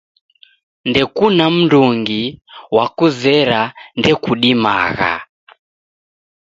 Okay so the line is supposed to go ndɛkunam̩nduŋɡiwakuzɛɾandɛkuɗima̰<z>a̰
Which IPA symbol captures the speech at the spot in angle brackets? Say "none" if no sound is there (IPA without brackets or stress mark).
ɣ